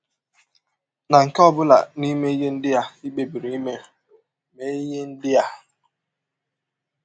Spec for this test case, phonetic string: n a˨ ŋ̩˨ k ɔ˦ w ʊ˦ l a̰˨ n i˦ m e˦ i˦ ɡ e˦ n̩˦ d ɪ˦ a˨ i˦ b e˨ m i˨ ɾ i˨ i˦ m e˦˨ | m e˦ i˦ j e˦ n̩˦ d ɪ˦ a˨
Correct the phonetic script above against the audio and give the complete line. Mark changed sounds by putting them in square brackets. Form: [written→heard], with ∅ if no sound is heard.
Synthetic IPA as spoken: n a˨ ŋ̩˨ k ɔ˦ [w→b] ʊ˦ l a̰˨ n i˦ m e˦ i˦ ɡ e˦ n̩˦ d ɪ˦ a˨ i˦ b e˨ [m→b] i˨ ɾ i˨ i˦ m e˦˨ | m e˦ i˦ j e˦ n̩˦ d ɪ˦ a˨